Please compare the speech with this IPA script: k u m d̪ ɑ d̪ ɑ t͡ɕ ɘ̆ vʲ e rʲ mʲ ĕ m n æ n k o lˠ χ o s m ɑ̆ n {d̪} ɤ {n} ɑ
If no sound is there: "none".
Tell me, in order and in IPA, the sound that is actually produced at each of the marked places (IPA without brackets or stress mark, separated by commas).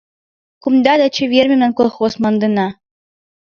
d̪, n